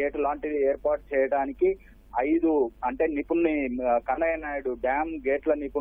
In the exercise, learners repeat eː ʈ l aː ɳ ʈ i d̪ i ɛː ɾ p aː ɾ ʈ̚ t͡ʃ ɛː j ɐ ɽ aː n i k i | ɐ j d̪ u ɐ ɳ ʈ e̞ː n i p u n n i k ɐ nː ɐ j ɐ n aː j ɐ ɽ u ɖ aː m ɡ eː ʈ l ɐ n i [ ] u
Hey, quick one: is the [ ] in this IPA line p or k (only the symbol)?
p